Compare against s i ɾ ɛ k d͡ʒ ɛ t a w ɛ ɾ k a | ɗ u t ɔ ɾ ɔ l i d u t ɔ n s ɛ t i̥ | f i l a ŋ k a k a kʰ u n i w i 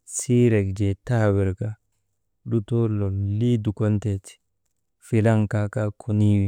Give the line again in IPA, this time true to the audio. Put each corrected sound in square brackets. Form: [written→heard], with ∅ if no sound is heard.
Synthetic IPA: s i ɾ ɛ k d͡ʒ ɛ t a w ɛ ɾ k a | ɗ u t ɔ [ɾ→l] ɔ l i d u [t→k] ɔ n [s→t] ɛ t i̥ | f i l a ŋ k a k a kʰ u n i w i